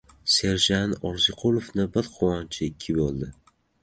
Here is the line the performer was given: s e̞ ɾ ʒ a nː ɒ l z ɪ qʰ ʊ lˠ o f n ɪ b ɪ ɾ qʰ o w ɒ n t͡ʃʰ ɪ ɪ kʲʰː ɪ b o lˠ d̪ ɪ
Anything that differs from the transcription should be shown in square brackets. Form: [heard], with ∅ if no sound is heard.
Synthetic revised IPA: s e̞ ɾ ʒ a [n] ɒ [ɾ] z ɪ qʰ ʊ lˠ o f n ɪ b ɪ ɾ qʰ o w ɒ n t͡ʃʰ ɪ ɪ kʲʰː ɪ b o lˠ d̪ ɪ